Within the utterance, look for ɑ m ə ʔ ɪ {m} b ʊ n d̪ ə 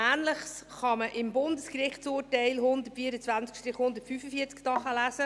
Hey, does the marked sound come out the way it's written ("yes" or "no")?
yes